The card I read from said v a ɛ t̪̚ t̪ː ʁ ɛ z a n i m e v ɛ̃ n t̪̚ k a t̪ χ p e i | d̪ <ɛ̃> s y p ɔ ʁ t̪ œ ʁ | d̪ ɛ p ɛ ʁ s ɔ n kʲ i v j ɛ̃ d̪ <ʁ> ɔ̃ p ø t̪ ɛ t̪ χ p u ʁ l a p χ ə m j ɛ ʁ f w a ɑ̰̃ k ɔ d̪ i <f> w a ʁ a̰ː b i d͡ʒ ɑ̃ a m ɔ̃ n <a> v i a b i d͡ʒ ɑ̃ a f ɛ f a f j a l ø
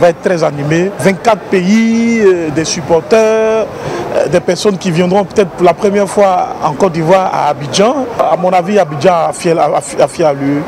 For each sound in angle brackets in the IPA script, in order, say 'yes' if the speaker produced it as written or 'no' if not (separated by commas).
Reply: no, yes, no, yes